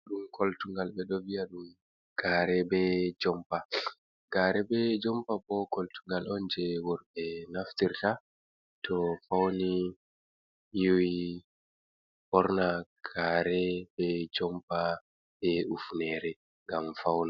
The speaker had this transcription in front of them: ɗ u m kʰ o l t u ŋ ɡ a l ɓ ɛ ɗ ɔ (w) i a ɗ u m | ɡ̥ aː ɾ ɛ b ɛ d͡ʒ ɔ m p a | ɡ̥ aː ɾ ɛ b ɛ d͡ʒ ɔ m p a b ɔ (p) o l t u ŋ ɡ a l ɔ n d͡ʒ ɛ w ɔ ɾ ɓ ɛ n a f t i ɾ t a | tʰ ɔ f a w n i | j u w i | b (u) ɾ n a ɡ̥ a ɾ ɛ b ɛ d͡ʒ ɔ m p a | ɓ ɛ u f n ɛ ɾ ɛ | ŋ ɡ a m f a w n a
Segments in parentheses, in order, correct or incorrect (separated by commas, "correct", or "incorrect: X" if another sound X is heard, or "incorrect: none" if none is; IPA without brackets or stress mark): incorrect: v, incorrect: k, incorrect: ɔ